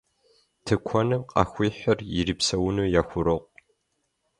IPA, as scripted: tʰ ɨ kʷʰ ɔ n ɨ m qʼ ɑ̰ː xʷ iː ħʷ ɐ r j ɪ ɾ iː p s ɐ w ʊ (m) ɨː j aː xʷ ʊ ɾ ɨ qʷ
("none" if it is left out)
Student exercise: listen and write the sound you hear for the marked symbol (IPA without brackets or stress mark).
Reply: n